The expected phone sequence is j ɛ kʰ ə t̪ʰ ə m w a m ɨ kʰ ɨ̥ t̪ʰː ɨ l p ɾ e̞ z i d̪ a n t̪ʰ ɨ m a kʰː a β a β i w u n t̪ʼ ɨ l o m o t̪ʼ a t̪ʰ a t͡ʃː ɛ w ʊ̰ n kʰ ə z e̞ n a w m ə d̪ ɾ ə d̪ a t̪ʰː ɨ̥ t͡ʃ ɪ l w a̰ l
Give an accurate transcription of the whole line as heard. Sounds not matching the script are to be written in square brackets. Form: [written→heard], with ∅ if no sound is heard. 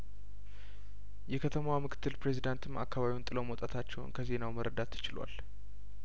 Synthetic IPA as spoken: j ɛ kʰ ə t̪ʰ ə m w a m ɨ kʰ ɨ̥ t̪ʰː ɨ l p ɾ e̞ z i d̪ a n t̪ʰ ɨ m a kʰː a β a β i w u n t̪ʼ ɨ l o m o t̪ʼ a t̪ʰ a t͡ʃː ɛ w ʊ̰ n kʰ ə z e̞ n a w m ə [d̪→∅] ɾ ə d̪ a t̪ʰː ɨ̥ t͡ʃ ɪ l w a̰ l